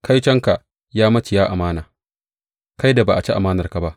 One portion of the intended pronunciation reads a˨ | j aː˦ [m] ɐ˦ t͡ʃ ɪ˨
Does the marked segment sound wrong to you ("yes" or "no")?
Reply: no